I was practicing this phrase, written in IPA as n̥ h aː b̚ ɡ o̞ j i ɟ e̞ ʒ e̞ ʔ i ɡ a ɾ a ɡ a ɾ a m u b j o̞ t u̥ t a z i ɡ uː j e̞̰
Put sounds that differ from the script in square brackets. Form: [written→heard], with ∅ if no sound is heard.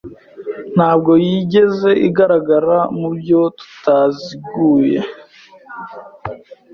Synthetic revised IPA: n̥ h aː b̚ ɡ o̞ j i ɟ e̞ [ʒ→z] e̞ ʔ i ɡ a ɾ a ɡ a ɾ a m u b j o̞ t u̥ t a z i ɡ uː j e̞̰